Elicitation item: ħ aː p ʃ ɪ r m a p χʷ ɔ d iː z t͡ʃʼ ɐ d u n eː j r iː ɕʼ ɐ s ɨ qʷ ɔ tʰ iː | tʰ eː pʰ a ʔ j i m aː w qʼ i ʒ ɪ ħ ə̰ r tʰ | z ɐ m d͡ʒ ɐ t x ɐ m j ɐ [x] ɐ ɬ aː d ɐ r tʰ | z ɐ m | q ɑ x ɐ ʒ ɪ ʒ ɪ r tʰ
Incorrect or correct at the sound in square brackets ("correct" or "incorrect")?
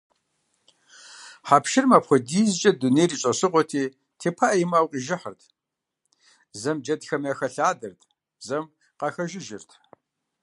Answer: correct